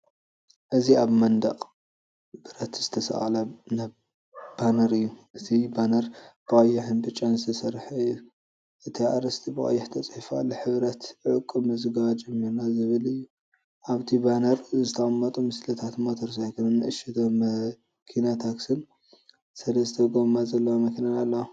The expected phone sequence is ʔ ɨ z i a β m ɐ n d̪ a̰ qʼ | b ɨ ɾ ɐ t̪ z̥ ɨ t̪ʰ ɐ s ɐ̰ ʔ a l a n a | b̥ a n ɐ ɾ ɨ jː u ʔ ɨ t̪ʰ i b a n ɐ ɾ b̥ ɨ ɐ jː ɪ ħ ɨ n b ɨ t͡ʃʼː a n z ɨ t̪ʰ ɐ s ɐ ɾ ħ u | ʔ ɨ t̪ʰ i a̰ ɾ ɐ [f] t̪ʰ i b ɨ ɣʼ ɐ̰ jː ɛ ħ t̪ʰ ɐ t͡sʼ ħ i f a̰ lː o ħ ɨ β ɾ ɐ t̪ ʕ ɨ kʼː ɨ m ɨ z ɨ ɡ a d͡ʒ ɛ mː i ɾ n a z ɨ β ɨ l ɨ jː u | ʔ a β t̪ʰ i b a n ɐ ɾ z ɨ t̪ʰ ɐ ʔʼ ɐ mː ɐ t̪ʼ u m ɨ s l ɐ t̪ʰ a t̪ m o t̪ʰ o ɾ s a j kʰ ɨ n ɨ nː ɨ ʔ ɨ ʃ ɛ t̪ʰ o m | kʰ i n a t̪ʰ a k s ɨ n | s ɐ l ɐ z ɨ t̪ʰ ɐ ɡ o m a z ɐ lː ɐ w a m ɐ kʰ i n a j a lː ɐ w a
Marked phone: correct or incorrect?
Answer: incorrect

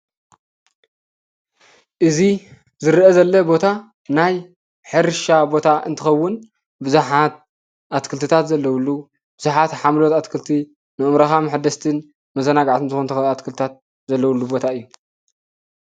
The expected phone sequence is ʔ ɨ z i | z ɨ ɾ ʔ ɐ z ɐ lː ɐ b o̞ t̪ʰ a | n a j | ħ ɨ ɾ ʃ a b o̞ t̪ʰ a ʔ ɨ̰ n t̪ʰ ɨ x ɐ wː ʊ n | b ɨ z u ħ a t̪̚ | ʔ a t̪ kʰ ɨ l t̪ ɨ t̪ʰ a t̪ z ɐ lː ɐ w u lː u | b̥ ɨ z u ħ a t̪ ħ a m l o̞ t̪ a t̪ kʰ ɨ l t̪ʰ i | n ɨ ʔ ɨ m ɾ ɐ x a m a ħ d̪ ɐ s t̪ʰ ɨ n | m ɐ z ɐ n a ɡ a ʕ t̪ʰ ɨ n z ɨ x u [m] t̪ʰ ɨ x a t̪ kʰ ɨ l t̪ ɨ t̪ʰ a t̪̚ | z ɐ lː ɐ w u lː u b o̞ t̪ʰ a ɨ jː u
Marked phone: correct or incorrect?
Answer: incorrect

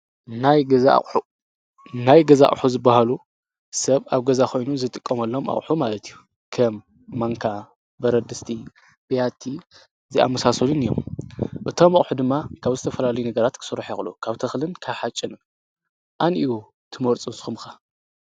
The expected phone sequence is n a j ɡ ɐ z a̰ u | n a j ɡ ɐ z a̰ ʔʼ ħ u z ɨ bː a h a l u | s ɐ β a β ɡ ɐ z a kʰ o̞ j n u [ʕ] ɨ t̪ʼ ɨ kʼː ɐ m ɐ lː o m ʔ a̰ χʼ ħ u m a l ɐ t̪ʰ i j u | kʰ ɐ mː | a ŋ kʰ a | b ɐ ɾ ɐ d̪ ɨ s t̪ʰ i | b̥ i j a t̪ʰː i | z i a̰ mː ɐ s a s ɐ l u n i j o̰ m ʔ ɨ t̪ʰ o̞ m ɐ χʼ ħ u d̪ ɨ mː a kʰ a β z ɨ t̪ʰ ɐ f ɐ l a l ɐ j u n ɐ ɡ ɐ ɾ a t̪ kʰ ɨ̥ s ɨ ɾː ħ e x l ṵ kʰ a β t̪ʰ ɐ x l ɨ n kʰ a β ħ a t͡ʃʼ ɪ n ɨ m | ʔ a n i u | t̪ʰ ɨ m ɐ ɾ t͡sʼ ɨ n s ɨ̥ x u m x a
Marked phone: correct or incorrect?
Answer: incorrect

